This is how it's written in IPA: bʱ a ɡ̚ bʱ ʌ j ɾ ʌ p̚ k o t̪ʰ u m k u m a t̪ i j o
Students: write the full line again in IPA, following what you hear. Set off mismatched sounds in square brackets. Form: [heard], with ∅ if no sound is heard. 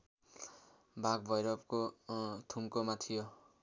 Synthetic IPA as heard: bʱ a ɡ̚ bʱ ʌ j ɾ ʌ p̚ k o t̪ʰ u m k [o] m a [t̪ʰ] i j o